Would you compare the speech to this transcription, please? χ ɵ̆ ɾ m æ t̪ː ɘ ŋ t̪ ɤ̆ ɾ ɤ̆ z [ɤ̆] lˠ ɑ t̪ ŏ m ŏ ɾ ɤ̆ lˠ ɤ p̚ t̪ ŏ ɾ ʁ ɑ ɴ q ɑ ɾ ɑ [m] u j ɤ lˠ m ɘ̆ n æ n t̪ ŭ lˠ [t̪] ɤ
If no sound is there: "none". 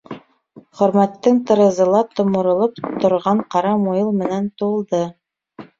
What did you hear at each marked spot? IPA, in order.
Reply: ɤ̆, m, d̪

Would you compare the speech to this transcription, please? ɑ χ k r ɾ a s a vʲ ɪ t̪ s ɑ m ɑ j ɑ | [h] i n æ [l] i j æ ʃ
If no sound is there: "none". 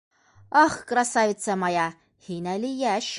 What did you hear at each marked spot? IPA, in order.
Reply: h, l

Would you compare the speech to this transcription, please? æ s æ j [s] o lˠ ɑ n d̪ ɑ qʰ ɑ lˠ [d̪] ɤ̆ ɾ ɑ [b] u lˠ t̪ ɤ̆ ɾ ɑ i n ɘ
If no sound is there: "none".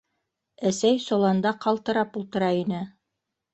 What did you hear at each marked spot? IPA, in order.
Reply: s, t̪, p

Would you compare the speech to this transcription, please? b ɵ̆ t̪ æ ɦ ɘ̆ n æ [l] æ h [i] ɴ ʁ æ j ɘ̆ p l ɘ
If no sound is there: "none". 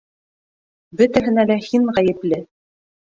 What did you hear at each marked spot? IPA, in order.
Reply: l, i

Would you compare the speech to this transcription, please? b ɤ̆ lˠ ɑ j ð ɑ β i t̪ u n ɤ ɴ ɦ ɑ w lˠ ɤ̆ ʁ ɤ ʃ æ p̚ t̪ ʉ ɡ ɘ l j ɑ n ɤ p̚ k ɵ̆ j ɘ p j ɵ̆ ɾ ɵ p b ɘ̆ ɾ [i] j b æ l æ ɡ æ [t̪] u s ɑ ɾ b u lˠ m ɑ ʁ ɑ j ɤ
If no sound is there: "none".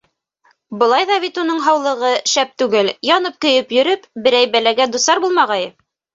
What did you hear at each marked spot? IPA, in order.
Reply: æ, d̪

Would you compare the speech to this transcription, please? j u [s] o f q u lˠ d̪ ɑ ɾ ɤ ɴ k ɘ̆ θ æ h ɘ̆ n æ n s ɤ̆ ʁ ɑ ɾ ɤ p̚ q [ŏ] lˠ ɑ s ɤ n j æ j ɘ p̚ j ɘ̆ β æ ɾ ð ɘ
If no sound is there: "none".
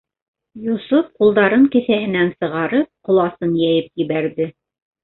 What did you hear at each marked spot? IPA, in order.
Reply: s, ŏ

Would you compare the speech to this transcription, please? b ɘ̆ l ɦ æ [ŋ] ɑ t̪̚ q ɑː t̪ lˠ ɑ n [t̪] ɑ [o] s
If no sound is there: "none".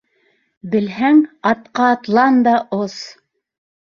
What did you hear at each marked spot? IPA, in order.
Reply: ŋ, d̪, o

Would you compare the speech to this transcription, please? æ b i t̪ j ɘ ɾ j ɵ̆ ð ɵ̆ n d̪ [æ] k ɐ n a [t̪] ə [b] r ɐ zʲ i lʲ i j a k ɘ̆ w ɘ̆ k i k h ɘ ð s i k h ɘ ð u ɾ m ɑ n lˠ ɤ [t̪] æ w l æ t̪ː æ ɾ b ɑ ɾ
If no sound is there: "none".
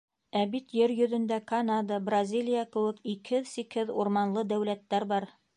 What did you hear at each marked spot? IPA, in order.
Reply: æ, d̪, b, d̪

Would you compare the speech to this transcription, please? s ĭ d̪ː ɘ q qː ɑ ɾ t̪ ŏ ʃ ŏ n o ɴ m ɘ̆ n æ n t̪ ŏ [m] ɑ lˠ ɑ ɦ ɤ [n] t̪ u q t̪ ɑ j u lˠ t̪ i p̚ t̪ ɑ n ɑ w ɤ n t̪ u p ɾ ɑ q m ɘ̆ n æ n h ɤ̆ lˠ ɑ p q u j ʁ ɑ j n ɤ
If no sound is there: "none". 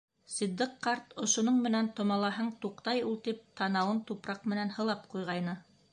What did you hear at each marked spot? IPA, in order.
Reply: m, ɴ

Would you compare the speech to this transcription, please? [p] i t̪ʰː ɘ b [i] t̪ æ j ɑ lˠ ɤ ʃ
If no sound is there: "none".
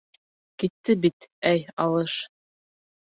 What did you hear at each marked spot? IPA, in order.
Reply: k, i

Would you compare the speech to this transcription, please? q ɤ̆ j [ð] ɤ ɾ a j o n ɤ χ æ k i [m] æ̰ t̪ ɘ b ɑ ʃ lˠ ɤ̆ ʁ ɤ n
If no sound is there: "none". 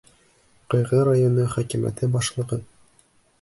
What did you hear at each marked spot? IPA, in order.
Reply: ʁ, m

